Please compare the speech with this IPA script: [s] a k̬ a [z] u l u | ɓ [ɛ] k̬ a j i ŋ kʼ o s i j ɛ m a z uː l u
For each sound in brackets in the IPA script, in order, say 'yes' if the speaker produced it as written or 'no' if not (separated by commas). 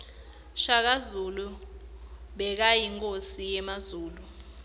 no, yes, yes